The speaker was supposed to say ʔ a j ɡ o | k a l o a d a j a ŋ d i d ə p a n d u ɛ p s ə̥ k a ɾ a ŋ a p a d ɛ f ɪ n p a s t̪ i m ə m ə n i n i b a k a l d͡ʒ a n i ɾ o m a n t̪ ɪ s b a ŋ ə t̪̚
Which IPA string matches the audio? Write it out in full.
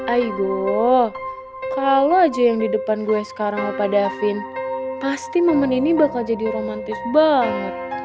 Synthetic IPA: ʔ a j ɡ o | k a l o a d͡ʒ a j a ŋ d i d ə p a n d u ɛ s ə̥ k a ɾ a ŋ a p a d a f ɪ n p a s t̪ i m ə m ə n i n i b a k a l d͡ʒ a d i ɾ o m a n t̪ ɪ s b a ŋ ə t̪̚